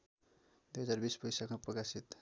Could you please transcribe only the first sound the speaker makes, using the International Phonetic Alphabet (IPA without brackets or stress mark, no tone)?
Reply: d̪